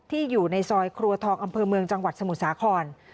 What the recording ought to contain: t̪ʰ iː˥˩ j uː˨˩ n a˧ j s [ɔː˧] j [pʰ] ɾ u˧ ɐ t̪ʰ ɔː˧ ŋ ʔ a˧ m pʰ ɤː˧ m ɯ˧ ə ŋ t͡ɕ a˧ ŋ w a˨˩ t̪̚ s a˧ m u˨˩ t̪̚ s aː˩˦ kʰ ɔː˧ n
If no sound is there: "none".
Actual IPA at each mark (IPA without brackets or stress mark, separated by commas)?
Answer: ɔː˧, kʰ